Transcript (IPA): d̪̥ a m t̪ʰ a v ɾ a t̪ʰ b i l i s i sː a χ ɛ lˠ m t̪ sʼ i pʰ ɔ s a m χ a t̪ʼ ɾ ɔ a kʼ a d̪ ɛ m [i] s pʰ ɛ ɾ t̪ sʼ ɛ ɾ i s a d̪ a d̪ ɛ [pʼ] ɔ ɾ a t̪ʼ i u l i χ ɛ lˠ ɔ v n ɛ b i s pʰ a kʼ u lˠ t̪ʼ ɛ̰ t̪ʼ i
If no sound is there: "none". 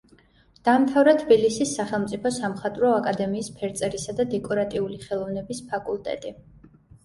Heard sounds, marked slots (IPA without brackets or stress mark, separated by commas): iː, kʼ